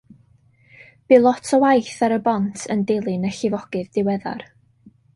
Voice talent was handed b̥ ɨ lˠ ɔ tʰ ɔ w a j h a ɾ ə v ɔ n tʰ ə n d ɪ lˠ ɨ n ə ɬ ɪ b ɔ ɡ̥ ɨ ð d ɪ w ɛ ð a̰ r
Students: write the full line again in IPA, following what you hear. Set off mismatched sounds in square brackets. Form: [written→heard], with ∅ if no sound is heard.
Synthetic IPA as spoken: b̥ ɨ lˠ ɔ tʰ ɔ w a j [h→θ] a ɾ ə [v→b] ɔ n tʰ ə n d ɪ lˠ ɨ n ə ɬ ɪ [b→v] ɔ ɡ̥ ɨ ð d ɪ w ɛ ð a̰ r